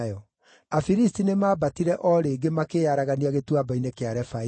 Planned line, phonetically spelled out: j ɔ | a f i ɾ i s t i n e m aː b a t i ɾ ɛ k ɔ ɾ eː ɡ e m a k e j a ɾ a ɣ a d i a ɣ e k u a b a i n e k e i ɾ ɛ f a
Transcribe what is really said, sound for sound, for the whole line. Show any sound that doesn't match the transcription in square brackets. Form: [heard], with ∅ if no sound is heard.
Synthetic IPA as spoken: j ɔ | a f i ɾ i s t i n e m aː b a t i ɾ ɛ [ʔ] ɔ ɾ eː ɡ e m a k e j a ɾ a ɣ a [n] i a ɣ e [t] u a b a i n e k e [a] ɾ ɛ f a